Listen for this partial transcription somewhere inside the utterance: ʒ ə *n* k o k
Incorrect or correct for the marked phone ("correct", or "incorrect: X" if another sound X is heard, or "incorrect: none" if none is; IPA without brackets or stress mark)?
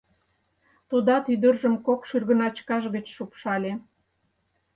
incorrect: m